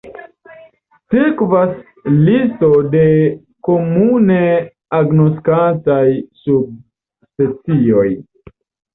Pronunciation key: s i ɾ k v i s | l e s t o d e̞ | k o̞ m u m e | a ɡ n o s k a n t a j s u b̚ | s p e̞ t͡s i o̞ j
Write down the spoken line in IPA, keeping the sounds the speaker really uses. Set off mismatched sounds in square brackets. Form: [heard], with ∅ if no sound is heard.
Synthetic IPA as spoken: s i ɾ k v [a] s | l [i] s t o d e̞ | k o̞ m u [n] e | a ɡ n o s k a n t a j s u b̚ | s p e̞ t͡s i o̞ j

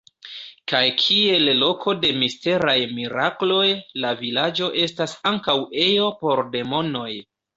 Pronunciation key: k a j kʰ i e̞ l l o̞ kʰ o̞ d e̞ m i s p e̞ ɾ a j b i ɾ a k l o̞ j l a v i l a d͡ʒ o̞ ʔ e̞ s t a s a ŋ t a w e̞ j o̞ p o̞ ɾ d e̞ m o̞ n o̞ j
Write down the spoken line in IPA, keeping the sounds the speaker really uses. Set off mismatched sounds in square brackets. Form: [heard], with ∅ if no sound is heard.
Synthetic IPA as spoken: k a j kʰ i e̞ l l o̞ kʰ o̞ d e̞ m i s [t] e̞ ɾ a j [m] i ɾ a k l o̞ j l a v i l a d͡ʒ o̞ ʔ e̞ s t a s a ŋ [k] a w e̞ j o̞ p o̞ ɾ d e̞ m o̞ n o̞ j

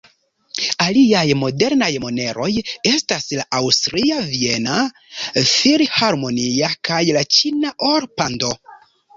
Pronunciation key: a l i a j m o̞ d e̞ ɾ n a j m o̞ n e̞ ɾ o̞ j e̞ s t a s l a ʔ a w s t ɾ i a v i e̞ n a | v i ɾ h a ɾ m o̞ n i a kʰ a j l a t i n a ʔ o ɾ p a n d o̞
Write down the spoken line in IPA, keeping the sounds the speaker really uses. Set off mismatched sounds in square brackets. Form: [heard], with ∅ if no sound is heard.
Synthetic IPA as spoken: a l i a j m o̞ d e̞ ɾ n a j m o̞ n e̞ ɾ o̞ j e̞ s t a s l a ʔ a w s t ɾ i a v i e̞ n a | [f] i ɾ h a ɾ m o̞ n i a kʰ a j l a [t͡ʃ] i n a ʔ o ɾ p a n d o̞

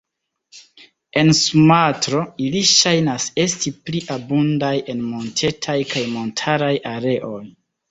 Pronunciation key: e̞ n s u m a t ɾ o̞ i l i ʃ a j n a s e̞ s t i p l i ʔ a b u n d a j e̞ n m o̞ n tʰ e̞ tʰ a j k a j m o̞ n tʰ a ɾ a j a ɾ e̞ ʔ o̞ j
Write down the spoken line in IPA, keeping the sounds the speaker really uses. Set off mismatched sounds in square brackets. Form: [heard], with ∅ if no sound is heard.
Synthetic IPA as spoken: e̞ n s u m a t ɾ o̞ i l i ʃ a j n a s e̞ s t i p l i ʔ a b u n d a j e̞ n m o̞ n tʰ e̞ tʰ a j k a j m o̞ n tʰ a ɾ a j a ɾ e̞ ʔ o̞ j

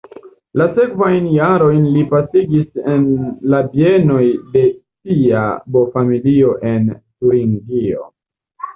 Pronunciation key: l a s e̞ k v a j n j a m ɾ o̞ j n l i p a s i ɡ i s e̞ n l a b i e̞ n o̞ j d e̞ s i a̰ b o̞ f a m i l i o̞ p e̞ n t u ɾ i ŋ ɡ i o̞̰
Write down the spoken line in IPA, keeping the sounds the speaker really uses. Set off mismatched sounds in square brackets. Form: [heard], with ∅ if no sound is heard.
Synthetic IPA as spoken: l a s e̞ k v a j n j a [∅] ɾ o̞ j n l i p a s i ɡ i s e̞ n l a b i e̞ n o̞ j d e̞ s i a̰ b o̞ f a m i l i o̞ [ʔ] e̞ n t u ɾ i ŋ ɡ i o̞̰

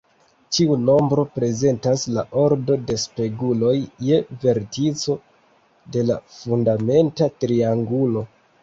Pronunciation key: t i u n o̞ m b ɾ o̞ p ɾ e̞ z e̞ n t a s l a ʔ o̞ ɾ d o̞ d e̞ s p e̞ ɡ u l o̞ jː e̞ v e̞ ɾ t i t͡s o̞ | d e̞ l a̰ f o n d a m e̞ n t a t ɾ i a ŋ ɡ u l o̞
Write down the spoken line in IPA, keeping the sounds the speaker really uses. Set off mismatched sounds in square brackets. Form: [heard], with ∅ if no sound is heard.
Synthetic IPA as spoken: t i u n o̞ m b ɾ o̞ p ɾ e̞ z e̞ n t a s l a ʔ o̞ ɾ d o̞ d e̞ s p e̞ ɡ u l o̞ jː e̞ v e̞ ɾ t i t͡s o̞ | d e̞ l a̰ f [u] n d a m e̞ n t a t ɾ i a ŋ ɡ u l o̞

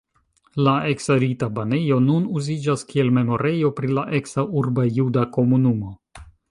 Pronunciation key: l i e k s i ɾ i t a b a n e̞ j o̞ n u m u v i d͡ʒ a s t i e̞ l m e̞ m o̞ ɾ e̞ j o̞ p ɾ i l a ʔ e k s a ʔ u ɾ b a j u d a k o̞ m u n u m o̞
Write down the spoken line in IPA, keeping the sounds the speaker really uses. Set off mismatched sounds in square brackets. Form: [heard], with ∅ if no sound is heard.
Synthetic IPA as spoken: l [a] e k s [a] ɾ i t a b a n e̞ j o̞ n u [n] u [z] i d͡ʒ a s [k] i e̞ l m e̞ m o̞ ɾ e̞ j o̞ p ɾ i l a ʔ e k s a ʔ u ɾ b a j u d a k o̞ m u n u m o̞

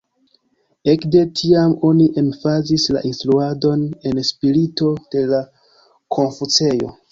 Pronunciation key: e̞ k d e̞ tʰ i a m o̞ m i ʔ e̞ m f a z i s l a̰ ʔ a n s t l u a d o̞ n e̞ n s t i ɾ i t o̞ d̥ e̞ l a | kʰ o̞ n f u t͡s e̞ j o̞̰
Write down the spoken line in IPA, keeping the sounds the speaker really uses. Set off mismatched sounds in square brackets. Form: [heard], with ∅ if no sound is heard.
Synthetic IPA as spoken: e̞ k d e̞ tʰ i a m o̞ [n] i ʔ e̞ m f a z i s l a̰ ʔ [i] n s t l u a d o̞ n e̞ n s [p] i ɾ i t o̞ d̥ e̞ l a | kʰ o̞ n f u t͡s e̞ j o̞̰

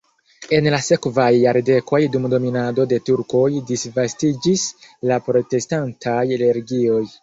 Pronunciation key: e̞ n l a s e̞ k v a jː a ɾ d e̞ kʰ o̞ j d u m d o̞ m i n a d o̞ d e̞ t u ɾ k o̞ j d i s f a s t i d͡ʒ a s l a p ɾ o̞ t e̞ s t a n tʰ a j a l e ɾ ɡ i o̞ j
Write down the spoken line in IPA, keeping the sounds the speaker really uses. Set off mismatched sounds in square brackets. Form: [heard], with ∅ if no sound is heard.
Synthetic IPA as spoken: e̞ n l a s e̞ k v a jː a ɾ d e̞ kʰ o̞ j d u m d o̞ m i n a d o̞ d e̞ t u ɾ k o̞ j d i s [v] a s t i d͡ʒ [i] s l a p ɾ o̞ t e̞ s t a n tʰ a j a l e ɾ ɡ i o̞ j

